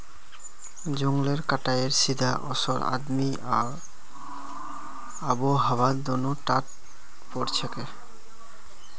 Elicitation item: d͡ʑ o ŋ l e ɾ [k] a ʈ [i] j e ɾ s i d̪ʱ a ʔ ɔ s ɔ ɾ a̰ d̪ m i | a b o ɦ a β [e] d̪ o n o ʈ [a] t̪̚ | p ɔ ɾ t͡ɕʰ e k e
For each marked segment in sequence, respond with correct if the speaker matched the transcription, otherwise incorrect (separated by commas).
correct, incorrect, incorrect, correct